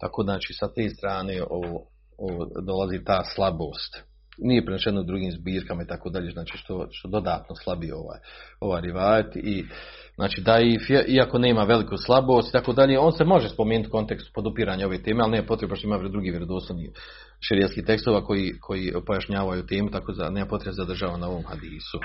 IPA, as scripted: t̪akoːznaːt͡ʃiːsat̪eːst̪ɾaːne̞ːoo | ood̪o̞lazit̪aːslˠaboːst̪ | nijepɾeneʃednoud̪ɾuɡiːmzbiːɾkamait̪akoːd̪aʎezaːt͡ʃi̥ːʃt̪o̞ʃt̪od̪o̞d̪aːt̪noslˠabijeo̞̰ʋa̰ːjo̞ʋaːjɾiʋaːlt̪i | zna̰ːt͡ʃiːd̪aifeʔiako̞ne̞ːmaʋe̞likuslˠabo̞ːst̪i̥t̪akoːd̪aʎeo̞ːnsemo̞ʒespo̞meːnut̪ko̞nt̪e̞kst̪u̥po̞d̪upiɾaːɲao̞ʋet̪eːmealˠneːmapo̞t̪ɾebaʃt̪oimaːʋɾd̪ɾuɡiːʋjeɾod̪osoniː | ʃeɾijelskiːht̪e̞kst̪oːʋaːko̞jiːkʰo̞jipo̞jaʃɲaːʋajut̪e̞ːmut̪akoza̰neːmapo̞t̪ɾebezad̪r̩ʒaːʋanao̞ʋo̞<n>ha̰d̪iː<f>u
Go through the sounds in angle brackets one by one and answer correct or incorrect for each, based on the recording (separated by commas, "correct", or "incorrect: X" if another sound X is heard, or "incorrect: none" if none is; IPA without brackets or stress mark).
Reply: incorrect: m, incorrect: s